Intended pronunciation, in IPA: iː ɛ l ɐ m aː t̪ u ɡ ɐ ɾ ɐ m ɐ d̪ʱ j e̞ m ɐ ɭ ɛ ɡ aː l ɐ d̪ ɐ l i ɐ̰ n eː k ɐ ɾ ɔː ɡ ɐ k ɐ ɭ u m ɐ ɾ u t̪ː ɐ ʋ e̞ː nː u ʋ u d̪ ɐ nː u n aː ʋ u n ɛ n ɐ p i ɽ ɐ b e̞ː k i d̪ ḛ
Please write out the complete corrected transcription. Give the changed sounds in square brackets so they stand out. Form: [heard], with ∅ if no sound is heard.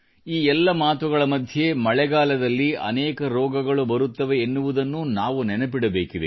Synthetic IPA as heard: iː ɛ [lː] ɐ m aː t̪ u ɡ ɐ [ɭ] ɐ m ɐ d̪ʱ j e̞ m ɐ ɭ ɛ ɡ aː l ɐ d̪ ɐ [lː] i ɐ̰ n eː k ɐ ɾ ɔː ɡ ɐ [ɡ] ɐ ɭ u [b] ɐ ɾ u t̪ː ɐ ʋ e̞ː nː u ʋ u d̪ ɐ nː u n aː ʋ u n ɛ n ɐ p i ɽ ɐ b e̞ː k i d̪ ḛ